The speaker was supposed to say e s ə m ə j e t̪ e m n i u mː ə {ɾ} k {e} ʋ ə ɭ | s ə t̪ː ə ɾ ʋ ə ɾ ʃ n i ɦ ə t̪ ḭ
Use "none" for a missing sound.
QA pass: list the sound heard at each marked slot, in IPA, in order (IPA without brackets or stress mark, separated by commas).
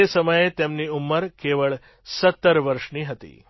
ɾ, e